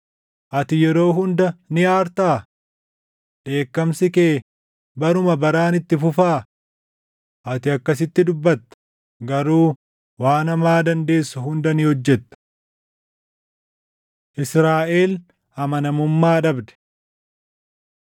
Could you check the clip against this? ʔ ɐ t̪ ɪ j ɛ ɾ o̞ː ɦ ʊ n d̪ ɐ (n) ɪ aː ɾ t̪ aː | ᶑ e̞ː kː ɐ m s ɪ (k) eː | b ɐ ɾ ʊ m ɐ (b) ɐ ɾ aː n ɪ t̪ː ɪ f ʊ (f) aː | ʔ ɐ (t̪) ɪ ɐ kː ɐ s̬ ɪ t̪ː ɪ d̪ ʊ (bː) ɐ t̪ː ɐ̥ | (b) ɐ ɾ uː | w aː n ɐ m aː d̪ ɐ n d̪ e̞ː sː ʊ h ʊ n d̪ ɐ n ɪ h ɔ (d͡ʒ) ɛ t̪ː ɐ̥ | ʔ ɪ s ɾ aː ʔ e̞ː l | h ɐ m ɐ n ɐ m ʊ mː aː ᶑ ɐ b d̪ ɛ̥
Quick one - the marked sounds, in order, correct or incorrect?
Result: correct, correct, correct, correct, correct, correct, incorrect, incorrect

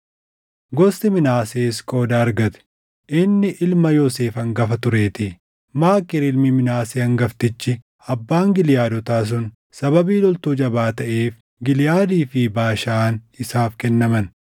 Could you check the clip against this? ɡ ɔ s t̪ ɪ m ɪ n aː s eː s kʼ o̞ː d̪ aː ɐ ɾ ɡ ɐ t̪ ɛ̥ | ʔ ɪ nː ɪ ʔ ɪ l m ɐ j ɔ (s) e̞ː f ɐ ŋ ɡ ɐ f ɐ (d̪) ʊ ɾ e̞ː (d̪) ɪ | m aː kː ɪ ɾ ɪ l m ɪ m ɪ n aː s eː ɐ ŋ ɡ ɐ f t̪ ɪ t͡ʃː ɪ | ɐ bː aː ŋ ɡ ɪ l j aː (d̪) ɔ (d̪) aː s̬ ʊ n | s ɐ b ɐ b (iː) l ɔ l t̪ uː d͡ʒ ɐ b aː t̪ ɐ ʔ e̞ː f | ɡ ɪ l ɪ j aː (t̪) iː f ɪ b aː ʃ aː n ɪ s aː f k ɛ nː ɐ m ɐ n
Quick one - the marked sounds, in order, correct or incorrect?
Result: correct, incorrect, incorrect, correct, incorrect, correct, incorrect

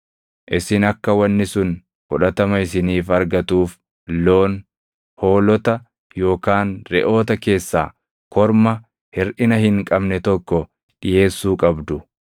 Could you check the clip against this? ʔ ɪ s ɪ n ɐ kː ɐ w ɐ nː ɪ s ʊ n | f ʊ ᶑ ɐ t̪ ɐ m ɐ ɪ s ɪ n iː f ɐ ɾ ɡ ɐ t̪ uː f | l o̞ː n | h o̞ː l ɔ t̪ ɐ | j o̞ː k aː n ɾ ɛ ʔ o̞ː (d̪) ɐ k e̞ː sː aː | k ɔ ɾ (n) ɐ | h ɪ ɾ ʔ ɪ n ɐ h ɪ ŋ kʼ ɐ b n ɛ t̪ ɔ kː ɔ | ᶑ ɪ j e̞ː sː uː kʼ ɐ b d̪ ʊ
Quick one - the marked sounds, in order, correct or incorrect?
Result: incorrect, incorrect

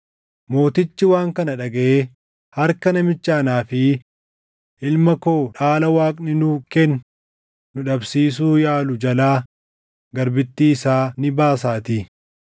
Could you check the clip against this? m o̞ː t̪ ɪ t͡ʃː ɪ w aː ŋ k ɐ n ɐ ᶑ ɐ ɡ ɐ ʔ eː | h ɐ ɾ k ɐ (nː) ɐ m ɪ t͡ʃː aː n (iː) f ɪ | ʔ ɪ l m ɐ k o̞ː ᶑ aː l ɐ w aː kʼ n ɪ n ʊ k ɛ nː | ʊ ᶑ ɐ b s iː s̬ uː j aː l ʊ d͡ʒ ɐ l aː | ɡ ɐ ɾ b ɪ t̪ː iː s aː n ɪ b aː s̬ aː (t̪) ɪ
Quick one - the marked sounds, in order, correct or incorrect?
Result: incorrect, incorrect, correct

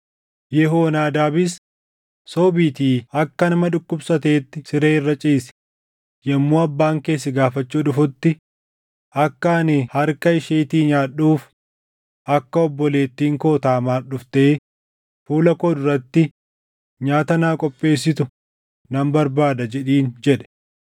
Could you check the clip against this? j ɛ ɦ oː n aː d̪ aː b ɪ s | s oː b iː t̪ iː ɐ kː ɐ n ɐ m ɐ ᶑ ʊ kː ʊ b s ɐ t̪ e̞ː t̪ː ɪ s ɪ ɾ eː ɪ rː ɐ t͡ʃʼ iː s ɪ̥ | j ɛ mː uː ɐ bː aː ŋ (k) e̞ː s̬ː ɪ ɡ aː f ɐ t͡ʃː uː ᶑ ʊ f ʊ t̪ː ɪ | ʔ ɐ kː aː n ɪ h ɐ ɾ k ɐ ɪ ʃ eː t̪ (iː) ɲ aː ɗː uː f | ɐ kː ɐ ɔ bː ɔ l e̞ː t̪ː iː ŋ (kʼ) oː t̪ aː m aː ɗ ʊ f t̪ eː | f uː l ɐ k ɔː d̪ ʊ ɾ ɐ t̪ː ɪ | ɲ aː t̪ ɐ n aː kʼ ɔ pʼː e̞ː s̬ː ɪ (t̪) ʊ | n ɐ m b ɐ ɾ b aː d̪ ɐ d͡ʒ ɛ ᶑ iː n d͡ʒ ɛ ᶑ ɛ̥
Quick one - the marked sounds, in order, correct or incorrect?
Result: correct, correct, incorrect, correct

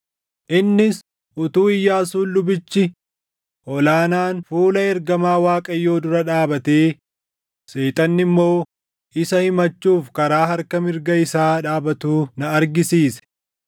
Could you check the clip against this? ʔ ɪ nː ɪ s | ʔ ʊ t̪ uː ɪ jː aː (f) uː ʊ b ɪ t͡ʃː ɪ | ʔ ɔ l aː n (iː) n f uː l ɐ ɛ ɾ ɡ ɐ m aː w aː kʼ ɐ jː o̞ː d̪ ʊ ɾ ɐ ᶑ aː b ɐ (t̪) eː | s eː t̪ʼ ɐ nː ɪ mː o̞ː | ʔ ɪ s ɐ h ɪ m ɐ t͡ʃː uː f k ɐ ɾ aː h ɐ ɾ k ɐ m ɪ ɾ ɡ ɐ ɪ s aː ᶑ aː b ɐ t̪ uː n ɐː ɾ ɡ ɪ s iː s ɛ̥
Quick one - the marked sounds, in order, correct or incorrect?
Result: incorrect, incorrect, correct

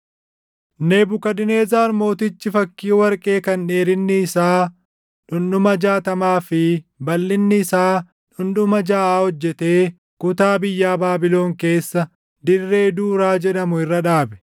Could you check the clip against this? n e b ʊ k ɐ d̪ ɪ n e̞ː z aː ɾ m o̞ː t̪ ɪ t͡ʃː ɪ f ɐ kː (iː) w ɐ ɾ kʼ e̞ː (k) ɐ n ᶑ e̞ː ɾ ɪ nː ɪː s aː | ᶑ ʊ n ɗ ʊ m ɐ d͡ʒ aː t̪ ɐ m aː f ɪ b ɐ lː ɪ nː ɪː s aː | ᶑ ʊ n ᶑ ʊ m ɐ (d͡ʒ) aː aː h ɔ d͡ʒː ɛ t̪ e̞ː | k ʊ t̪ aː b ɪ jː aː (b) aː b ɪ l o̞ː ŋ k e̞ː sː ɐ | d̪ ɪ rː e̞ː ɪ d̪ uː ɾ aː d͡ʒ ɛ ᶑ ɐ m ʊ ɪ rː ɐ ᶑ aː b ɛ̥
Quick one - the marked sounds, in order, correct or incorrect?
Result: correct, correct, correct, correct

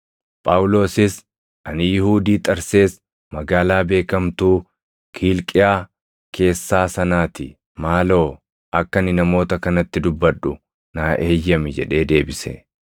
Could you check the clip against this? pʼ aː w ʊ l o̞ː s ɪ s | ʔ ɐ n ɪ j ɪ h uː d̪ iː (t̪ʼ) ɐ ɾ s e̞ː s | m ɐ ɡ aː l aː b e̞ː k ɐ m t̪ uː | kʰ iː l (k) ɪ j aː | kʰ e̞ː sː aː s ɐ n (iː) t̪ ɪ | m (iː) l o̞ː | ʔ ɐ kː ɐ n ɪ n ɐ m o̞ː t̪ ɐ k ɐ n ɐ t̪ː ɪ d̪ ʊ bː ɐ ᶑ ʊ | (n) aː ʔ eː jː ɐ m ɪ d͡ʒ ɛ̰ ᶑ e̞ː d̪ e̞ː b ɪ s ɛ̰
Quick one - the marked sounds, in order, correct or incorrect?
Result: correct, incorrect, incorrect, incorrect, correct

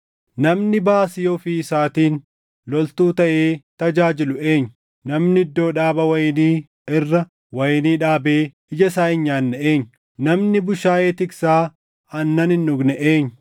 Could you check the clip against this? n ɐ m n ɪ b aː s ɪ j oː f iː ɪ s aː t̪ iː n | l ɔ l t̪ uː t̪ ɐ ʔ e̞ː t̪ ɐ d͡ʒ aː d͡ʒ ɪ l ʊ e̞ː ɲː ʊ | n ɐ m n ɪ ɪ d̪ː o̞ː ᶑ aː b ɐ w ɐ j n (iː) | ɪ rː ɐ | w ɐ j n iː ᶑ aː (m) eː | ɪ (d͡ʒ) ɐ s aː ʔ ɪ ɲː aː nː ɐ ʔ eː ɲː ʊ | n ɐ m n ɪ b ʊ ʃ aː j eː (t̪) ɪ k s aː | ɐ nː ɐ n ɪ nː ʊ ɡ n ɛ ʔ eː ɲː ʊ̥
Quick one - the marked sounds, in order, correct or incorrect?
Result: correct, incorrect, correct, correct

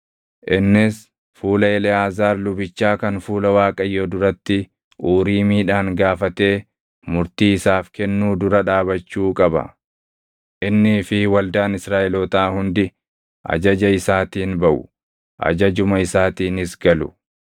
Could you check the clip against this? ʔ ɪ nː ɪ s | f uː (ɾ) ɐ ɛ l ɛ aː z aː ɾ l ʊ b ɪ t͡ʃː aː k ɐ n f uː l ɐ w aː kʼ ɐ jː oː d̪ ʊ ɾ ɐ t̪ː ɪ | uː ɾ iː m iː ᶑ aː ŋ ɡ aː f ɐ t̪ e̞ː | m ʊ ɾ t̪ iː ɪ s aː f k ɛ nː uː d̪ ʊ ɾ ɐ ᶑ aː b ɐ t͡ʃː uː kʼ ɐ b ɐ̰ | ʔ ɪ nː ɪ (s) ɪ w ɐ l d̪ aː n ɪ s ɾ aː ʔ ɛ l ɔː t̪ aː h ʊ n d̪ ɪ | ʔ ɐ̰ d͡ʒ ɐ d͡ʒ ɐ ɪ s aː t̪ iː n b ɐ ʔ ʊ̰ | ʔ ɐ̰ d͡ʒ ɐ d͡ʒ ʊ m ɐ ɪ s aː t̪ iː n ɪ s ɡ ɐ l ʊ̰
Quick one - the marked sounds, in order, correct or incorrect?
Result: incorrect, incorrect

